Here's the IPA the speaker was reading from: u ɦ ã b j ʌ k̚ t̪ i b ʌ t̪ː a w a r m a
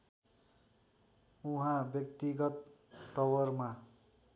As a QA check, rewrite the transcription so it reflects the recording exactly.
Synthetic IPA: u ɦ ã b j ʌ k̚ t̪ i ɡ ʌ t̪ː ʌ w ʌ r m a